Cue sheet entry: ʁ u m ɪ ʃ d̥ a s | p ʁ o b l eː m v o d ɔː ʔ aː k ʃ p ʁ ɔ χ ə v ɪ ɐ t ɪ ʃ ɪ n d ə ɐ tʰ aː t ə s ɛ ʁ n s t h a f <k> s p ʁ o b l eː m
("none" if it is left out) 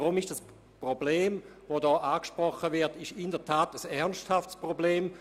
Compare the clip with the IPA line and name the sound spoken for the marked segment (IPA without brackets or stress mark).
t